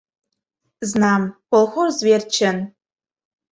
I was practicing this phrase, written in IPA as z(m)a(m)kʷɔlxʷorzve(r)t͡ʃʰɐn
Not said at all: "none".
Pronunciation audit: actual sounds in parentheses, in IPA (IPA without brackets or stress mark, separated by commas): n, m, r